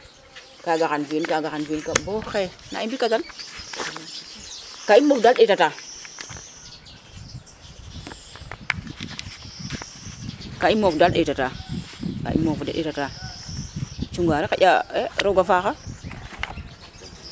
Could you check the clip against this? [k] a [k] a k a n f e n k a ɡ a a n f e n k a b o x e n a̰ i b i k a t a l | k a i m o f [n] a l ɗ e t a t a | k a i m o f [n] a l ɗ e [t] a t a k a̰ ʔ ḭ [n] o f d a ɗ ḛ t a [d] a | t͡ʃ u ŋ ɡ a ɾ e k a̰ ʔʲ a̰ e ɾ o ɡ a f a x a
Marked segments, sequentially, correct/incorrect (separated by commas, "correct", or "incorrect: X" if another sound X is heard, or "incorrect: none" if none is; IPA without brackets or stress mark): correct, incorrect: ɡ, incorrect: d, incorrect: d, correct, incorrect: m, incorrect: t